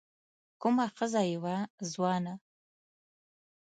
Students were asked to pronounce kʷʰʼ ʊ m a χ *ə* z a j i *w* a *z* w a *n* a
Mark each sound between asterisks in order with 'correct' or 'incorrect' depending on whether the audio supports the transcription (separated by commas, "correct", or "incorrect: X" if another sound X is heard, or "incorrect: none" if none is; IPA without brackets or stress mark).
correct, correct, correct, correct